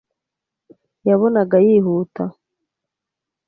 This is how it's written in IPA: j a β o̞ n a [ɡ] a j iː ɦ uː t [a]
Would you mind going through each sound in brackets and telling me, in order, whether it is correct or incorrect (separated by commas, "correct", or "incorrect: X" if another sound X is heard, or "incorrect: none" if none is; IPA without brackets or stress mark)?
correct, correct